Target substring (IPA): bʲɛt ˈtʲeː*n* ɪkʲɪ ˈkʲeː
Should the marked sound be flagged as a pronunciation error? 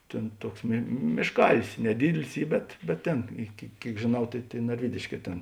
no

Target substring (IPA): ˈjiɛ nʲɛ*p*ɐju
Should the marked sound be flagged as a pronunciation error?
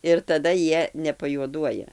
no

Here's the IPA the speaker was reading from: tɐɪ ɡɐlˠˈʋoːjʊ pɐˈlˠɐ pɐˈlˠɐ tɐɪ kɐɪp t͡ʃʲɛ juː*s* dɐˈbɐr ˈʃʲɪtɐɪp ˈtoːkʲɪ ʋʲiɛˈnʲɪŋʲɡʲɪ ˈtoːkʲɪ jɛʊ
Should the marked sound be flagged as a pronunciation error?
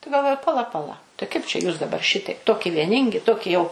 no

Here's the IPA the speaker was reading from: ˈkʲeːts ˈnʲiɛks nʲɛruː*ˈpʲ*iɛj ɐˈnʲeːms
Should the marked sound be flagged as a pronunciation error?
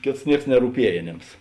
no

